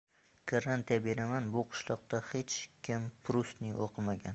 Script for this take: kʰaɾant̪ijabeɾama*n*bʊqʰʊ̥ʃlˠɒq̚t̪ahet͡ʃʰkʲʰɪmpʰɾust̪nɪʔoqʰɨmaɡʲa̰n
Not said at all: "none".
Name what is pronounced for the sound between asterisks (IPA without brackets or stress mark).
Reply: n